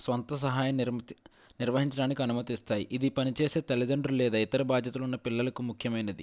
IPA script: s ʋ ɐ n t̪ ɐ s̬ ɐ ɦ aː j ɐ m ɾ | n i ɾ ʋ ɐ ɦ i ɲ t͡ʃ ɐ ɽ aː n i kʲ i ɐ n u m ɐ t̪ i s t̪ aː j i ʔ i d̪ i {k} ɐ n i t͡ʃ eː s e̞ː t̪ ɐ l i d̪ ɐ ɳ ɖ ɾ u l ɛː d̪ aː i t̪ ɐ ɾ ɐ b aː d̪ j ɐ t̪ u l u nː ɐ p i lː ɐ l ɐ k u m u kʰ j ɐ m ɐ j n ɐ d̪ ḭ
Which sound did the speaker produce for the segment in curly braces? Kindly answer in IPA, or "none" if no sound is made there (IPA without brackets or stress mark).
p